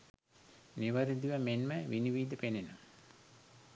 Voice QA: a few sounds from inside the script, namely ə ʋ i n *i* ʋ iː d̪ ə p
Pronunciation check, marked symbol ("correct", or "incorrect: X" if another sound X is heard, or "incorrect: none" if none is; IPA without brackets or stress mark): correct